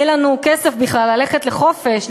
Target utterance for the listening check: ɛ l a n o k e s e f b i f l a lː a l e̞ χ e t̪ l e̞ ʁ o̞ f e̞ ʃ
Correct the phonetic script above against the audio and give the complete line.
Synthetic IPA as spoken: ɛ l a n u k e s e f b i χ l a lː a l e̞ χ e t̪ l e̞ χ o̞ f e̞ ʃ